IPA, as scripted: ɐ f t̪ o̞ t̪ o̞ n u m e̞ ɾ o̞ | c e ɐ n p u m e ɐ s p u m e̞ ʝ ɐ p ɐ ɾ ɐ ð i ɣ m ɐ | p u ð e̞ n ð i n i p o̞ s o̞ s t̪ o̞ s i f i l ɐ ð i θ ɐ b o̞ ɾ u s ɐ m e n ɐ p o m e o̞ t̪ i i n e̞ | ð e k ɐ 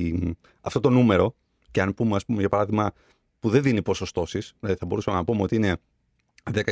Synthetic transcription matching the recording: ɐ f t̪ o̞ t̪ o̞ n u m e̞ ɾ o̞ | c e ɐ n p u m e ɐ s p u m e̞ ʝ ɐ p ɐ ɾ ɐ ð i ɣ m ɐ | p u ð e̞ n ð i n i p o̞ s o̞ s t̪ o̞ s i s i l ɐ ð i θ ɐ b o̞ ɾ u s ɐ m e n ɐ p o m e o̞ t̪ i i n e̞ | ð e k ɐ